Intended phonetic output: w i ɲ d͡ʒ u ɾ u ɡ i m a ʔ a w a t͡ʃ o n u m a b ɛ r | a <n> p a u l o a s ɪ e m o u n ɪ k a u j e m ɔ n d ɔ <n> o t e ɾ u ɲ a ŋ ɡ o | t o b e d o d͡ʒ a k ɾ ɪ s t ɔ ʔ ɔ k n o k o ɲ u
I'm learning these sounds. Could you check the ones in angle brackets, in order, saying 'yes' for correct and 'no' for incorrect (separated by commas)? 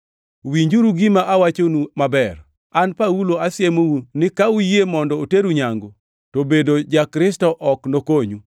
yes, no